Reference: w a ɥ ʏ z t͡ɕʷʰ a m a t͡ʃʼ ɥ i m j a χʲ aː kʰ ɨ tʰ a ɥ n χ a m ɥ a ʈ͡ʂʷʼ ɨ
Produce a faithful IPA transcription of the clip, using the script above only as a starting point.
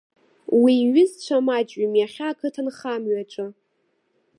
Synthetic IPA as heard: w i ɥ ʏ z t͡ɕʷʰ a m a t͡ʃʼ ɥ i m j a χʲ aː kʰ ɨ tʰ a n χ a m ɥ a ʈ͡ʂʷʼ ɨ